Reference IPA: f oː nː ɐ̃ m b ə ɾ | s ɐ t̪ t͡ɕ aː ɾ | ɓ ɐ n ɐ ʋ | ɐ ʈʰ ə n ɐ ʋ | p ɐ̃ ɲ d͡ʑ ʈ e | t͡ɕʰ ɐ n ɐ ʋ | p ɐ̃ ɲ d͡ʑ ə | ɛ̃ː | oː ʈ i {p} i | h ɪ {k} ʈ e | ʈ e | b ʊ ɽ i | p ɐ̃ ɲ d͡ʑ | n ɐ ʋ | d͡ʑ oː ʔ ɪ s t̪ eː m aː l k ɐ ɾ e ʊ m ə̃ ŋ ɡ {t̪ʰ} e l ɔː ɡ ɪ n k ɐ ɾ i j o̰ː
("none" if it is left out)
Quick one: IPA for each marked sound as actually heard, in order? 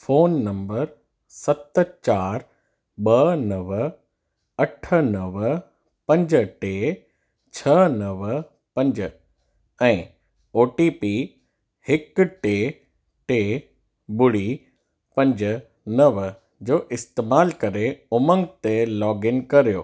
p, k, t̪

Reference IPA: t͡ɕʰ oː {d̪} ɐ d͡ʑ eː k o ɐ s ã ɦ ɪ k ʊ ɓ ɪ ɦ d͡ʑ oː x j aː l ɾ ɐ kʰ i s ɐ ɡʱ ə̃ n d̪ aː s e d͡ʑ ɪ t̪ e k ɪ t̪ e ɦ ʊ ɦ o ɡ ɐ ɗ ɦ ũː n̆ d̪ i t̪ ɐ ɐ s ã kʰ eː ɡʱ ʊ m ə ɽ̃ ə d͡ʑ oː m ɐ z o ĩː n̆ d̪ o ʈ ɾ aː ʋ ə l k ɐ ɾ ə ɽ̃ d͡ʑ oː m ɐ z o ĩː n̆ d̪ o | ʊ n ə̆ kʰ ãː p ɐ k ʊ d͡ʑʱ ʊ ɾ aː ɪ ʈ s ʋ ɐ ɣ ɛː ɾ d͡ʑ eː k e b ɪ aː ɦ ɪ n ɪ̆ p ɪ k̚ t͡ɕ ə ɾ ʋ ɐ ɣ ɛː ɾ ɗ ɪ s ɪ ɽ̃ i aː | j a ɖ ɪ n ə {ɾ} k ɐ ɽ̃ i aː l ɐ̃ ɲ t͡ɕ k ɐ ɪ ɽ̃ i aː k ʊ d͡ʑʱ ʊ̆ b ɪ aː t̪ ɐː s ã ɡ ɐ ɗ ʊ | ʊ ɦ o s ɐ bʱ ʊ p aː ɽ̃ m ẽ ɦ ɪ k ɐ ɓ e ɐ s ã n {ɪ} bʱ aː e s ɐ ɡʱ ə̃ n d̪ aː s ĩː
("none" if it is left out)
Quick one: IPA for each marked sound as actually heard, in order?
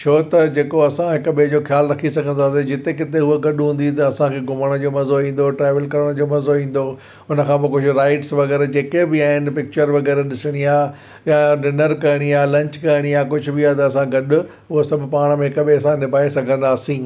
t̪, ɾ, ɪ

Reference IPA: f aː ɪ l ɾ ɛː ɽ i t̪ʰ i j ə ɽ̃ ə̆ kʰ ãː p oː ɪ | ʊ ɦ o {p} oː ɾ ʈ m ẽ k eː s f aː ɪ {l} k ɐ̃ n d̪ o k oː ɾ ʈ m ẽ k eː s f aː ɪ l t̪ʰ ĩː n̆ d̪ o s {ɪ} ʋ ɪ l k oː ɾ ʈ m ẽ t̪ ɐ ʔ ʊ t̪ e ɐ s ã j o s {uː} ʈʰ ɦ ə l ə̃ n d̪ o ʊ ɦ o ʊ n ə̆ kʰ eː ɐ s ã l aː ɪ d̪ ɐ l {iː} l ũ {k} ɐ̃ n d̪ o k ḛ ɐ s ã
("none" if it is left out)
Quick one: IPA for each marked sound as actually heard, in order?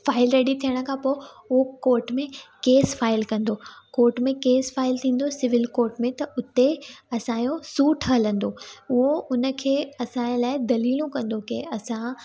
k, l, ɪ, uː, iː, k

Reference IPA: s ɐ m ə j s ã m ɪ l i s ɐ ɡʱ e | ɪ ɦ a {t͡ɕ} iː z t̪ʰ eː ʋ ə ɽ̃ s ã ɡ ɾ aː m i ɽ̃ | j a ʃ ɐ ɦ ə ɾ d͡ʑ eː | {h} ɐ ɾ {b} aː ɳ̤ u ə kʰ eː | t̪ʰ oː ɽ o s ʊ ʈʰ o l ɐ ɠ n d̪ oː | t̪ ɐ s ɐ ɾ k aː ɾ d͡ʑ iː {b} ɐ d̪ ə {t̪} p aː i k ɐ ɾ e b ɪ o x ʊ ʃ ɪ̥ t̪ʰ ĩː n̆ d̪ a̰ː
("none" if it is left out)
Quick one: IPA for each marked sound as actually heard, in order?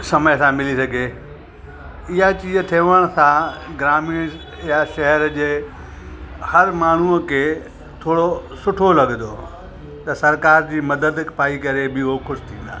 t͡ɕ, h, m, m, d̪

